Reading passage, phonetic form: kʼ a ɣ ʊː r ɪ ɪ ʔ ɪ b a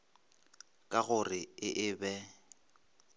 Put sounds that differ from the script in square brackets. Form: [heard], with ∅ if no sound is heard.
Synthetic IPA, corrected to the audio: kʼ a ɣ [ʊ] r ɪ ɪ ʔ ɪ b [ɛ]

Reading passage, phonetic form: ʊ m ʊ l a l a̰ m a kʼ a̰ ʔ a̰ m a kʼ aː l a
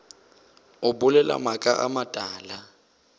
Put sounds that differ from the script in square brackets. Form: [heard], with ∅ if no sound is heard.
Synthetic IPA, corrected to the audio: ʊ [b] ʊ l [ɛ] l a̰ m a kʼ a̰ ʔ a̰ m a [tʼ] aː l a

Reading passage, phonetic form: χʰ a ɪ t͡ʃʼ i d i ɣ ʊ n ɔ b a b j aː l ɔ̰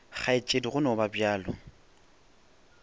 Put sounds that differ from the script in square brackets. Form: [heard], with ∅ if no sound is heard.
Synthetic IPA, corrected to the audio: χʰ a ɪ t͡ʃʼ [e] d i ɣ ʊ n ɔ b a b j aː l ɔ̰

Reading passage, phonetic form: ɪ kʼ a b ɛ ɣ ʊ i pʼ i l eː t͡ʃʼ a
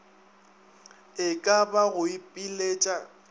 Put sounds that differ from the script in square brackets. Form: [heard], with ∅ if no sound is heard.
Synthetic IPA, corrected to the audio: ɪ kʼ a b [a] ɣ ʊ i pʼ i l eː t͡ʃʼ a

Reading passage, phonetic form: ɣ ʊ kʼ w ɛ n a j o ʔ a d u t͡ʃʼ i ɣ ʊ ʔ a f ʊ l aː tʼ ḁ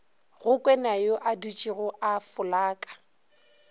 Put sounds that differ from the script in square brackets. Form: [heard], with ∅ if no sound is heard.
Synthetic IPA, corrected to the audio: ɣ ʊ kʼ w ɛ n a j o ʔ a d u t͡ʃʼ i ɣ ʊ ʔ a f ʊ l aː [kʼ] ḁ

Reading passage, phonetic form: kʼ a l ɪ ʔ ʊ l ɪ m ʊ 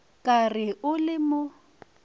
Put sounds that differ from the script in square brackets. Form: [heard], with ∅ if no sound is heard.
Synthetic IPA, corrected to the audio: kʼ a [r] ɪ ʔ ʊ l ɪ m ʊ

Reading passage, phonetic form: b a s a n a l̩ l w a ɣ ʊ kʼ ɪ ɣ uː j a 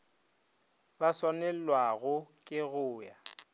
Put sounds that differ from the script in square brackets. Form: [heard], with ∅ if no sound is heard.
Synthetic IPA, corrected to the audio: b a s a n [ɛ] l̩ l w a ɣ ʊ kʼ ɪ ɣ [ʊː] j a

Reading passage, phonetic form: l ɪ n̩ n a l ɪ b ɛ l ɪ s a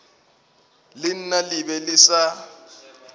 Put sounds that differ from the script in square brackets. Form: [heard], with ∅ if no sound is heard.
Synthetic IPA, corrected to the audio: l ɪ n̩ n a l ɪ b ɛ l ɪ s a

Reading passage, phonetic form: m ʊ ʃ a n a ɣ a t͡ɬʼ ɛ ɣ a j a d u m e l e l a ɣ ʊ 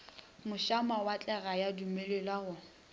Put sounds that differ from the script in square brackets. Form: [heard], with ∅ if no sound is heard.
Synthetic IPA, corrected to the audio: m ʊ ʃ a [m] a [w] a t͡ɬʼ ɛ ɣ a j a d u m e l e l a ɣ ʊ

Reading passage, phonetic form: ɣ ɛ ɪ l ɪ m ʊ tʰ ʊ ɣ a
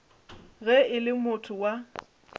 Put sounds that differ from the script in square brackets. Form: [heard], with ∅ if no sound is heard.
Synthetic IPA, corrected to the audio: ɣ ɛ ɪ l ɪ m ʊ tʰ ʊ [w] a

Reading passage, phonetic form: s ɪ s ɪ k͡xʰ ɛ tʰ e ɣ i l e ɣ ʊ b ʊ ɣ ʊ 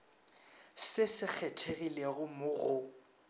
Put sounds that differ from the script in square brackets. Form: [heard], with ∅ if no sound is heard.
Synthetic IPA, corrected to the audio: s ɪ s ɪ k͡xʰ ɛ tʰ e ɣ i l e ɣ ʊ [m] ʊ ɣ ʊ

